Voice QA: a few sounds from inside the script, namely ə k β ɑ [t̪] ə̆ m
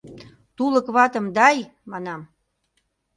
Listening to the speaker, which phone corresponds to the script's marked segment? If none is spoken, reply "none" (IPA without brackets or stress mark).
t̪